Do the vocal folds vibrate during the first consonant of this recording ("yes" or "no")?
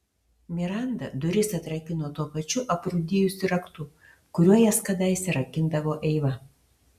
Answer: yes